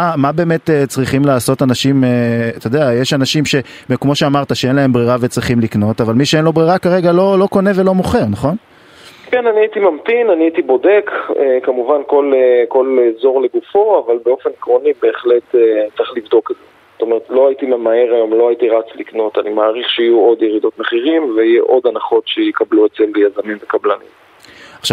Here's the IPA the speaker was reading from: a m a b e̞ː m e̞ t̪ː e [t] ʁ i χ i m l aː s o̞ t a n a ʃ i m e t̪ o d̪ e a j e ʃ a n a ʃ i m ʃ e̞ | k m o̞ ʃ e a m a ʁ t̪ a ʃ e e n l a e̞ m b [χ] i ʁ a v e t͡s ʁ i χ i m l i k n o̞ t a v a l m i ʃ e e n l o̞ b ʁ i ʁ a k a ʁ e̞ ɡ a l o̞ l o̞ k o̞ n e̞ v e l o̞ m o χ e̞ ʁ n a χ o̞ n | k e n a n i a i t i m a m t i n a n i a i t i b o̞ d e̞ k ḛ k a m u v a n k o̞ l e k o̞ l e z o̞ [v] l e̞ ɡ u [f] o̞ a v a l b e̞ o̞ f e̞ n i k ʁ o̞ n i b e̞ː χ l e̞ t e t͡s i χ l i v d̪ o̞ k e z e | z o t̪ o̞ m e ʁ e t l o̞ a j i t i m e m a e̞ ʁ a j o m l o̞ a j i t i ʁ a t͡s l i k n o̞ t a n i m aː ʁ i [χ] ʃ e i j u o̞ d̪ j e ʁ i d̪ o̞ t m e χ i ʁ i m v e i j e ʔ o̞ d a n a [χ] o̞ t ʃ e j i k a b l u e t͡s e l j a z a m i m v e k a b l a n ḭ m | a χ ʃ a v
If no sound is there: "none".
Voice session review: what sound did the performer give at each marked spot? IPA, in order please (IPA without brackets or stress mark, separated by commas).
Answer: t͡s, ʁ, ʁ, f, χ, χ